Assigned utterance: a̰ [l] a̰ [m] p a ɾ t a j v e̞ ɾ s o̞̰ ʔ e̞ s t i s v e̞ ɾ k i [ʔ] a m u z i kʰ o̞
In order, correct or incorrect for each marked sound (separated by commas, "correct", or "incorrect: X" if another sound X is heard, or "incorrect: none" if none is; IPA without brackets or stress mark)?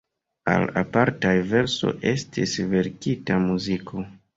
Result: correct, incorrect: none, incorrect: t